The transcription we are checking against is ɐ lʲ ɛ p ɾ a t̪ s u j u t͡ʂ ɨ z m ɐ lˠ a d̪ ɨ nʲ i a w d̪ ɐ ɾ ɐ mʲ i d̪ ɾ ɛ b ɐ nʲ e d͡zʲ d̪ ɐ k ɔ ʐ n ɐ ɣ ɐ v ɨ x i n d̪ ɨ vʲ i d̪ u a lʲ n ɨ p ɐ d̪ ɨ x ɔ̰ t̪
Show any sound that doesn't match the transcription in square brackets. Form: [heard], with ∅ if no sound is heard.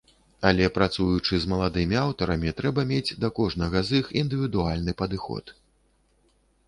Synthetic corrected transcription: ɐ lʲ ɛ p ɾ a t̪ s u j u t͡ʂ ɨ z m ɐ lˠ a d̪ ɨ [mʲ] i a w [t̪] ɐ ɾ ɐ mʲ i [t̪] ɾ ɛ b ɐ [mʲ] e d͡zʲ d̪ ɐ k ɔ ʐ n ɐ ɣ ɐ [z] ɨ x i n d̪ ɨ vʲ i d̪ u a lʲ n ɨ p ɐ d̪ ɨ x ɔ̰ t̪